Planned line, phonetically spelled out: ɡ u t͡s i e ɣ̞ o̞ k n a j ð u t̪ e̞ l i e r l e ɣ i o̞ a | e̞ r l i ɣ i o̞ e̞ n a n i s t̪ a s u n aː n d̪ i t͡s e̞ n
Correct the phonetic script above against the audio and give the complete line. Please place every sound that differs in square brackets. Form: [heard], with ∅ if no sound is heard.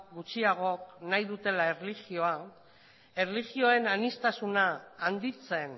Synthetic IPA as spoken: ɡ u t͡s i [a] ɣ̞ o̞ k n a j ð u t̪ e̞ l [a] e r l [i] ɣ i o̞ a | e̞ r l i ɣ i o̞ e̞ n a n i s t̪ a s u n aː n d̪ i t͡s e̞ n